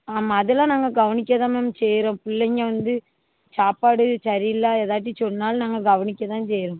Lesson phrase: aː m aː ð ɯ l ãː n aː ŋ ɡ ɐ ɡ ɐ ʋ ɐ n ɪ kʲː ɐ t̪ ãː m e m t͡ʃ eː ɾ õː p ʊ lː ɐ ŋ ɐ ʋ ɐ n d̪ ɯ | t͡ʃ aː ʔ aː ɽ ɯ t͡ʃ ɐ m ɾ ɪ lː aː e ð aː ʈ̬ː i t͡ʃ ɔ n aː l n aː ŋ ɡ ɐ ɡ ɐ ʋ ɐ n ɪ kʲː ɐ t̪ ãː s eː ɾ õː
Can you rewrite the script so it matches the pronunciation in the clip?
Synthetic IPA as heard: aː m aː ð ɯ l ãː n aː ŋ ɡ ɐ ɡ ɐ ʋ ɐ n ɪ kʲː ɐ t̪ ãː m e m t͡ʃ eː ɾ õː p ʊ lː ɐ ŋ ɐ ʋ ɐ n d̪ ɯ | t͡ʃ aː p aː ɽ ɯ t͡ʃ ɐ ɾ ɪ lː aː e ð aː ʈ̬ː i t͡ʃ ɔ nː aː l n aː ŋ ɡ ɐ ɡ ɐ ʋ ɐ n ɪ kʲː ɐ t̪ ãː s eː ɾ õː

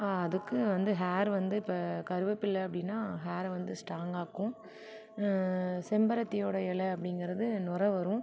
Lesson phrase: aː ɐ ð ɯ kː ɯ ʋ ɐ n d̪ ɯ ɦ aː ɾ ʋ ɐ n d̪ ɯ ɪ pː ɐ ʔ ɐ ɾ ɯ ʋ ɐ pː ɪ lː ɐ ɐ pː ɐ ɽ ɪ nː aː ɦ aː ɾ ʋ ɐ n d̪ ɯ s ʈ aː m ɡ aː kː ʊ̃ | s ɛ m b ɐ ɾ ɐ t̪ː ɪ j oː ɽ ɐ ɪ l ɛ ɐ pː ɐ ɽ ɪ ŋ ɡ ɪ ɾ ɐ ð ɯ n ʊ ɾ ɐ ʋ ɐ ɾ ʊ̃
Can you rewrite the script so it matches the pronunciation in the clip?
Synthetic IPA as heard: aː ɐ ð ɯ kː ɯ ʋ ɐ n d̪ ɯ ɦ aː ɾ ʋ ɐ n d̪ ɯ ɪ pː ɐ k ɐ ɾ ɯ ʋ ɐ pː ɪ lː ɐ ɐ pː ɐ ɽ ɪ nː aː ɦ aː ɾ ʋ ɐ n d̪ ɯ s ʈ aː ŋ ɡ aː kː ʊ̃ | s ɛ m b ɐ ɾ ɐ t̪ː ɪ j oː ɽ ɐ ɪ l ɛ ɐ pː ɐ ɽ ɪ ŋ ɡ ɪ ɾ ɐ ð ɯ n ʊ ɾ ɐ ʋ ɐ ɾ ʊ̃

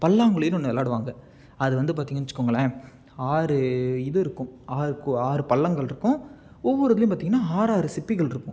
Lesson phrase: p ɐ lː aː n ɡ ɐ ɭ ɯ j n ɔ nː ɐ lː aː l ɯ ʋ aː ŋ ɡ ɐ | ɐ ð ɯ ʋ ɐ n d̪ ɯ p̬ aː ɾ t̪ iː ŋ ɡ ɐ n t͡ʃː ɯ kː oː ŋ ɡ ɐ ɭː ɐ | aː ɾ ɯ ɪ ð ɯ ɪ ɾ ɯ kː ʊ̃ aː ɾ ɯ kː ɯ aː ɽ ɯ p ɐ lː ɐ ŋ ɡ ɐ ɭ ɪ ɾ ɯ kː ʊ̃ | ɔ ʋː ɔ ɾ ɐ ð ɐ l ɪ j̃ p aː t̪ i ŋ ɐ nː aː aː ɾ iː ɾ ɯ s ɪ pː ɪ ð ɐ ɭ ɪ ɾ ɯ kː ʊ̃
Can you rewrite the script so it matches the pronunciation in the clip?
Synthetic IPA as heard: p ɐ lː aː ŋ ɡ ɐ ɭ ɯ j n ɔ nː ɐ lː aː ɽ ɯ ʋ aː ŋ ɡ ɐ | ɐ ð ɯ ʋ ɐ n d̪ ɯ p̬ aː ɾ t̪ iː ŋ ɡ ɐ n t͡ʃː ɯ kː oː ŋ ɡ ɐ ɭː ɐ | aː ɾ ɯ ɪ ð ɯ ɪ ɾ ɯ kː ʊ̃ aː ɾ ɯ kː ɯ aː ɾ ɯ p ɐ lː ɐ ŋ ɡ ɐ ɭ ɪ ɾ ɯ kː ʊ̃ | ɔ ʋː ɔ ɾ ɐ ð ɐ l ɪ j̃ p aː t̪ i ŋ ɐ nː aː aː ɾ aː ɾ ɯ s ɪ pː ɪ ɣ ɐ ɭ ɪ ɾ ɯ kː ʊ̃

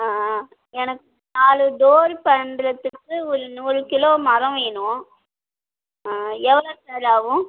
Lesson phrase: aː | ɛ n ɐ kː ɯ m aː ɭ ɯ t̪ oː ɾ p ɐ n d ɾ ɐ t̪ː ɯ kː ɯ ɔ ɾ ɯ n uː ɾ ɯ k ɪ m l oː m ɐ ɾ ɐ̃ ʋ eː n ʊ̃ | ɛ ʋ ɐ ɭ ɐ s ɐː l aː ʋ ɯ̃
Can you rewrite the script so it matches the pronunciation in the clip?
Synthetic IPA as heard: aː | ɛ n ɐ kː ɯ n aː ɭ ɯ d̪ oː ɾ p ɐ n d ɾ ɐ t̪ː ɯ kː ɯ ɔ ɾ ɯ n uː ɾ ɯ k ɪ l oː m ɐ ɾ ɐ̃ ʋ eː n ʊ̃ | ɛ ʋ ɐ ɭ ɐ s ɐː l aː ʋ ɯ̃

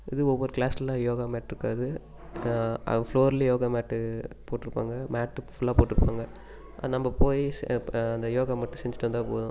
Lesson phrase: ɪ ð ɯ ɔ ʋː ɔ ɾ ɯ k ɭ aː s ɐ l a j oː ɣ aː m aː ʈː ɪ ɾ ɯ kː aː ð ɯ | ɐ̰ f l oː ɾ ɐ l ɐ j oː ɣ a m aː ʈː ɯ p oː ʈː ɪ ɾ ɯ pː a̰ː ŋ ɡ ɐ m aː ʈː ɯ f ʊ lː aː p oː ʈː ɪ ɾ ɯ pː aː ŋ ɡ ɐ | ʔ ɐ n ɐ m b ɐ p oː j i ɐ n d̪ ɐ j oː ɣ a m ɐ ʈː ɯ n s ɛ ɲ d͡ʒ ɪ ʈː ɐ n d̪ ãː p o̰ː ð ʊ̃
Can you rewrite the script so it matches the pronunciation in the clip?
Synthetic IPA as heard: ɪ ð ɯ ɔ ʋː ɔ ɾ ɯ k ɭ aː s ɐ l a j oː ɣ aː m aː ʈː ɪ ɾ ɯ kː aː ð ɯ | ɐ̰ f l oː ɾ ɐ l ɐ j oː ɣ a m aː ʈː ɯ p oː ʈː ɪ ɾ ɯ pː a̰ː ŋ ɡ ɐ m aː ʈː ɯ f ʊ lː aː p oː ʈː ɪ ɾ ɯ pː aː ŋ ɡ ɐ | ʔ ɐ n ɐ m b ɐ p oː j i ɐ n d̪ ɐ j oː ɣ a m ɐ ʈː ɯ s ɛ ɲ d͡ʒ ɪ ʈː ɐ n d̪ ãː p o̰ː ð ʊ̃

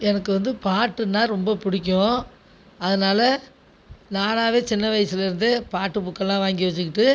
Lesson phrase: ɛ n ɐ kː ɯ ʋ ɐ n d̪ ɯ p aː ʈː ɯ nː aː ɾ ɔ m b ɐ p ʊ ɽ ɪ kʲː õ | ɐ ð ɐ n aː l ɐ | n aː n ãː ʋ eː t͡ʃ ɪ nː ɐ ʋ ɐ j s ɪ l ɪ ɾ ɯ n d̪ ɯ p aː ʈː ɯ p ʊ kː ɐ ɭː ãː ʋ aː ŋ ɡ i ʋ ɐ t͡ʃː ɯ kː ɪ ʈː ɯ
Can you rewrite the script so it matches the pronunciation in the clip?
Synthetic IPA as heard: ɛ n ɐ kː ɯ ʋ ɐ n d̪ ɯ p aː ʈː ɯ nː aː ɾ ɔ m b ɐ p ʊ ɽ ɪ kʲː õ | ɐ ð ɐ n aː l ɐ | n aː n aː ʋ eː t͡ʃ ɪ nː ɐ ʋ ɐ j s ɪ l ɪ ɾ ɯ n d̪ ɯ p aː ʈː ɯ p ʊ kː ɐ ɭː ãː ʋ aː ŋ ɡ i ʋ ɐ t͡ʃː ɯ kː ɪ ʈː ɯ

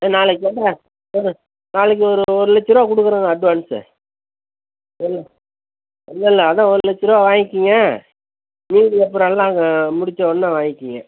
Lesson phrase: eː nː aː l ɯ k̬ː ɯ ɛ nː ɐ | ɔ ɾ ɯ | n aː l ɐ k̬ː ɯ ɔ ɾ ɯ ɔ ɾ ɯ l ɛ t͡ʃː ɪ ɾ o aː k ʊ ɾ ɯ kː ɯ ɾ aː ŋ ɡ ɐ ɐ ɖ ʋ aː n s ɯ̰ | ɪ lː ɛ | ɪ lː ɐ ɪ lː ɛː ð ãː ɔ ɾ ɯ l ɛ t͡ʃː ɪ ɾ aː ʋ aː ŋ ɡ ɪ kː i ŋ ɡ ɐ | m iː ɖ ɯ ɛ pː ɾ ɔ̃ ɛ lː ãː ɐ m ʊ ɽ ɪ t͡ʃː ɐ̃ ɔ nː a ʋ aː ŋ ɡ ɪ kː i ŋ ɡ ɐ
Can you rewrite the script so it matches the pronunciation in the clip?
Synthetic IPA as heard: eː n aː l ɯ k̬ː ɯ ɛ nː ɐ | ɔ ɾ ɯ | n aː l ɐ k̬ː ɯ ɔ ɾ ɯ ɔ ɾ ɯ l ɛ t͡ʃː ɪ ɾ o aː k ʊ ɽ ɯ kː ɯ ɾ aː ŋ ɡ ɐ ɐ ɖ ʋ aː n s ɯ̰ | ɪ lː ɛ | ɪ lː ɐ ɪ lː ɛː ð ãː ɔ ɾ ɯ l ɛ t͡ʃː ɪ ɾ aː ʋ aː ŋ ɡ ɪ kː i ŋ ɡ ɐ | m iː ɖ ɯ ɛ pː ɾ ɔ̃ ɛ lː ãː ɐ m ʊ ɽ ɪ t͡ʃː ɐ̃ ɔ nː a ʋ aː ŋ ɡ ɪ kː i ŋ ɡ ɐ

